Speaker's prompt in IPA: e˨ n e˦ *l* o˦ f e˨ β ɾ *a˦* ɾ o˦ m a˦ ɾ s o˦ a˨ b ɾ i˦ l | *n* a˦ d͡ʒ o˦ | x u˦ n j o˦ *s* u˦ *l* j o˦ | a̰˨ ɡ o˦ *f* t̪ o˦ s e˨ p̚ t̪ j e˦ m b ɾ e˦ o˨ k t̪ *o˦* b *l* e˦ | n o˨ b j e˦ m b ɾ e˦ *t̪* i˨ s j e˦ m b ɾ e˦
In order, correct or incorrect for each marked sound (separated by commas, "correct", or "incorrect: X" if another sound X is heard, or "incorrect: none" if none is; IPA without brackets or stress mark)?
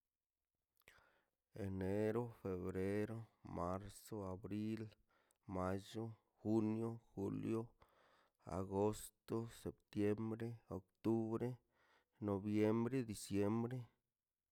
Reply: incorrect: ɾ, incorrect: e˦, incorrect: m, incorrect: x, correct, incorrect: s, incorrect: u˦, incorrect: ɾ, incorrect: d̪